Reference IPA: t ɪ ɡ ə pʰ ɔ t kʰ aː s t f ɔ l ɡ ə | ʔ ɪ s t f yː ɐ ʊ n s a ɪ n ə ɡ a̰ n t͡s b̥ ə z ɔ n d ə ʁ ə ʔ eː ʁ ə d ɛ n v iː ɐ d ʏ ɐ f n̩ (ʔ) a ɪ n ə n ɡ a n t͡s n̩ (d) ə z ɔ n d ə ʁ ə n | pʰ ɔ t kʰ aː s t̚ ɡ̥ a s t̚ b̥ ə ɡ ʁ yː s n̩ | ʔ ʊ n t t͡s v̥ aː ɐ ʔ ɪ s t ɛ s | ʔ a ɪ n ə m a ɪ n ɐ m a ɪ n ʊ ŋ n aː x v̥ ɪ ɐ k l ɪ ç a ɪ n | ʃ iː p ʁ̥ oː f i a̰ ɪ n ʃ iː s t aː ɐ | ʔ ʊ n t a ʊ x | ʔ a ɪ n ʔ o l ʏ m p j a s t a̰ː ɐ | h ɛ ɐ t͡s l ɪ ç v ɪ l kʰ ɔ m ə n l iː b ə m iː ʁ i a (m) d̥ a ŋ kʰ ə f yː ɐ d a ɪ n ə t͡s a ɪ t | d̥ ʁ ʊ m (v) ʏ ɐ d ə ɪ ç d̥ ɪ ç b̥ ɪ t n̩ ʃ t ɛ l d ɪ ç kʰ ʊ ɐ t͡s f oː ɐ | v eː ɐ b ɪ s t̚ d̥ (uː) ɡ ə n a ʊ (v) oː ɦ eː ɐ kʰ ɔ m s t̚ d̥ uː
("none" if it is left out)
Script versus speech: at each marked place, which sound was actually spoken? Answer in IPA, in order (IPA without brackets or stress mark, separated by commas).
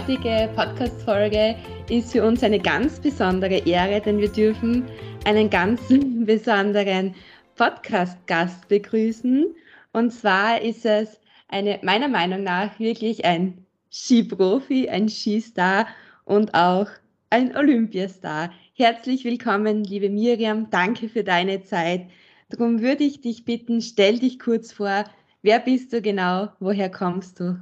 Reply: ʔ, b, m, v, uː, v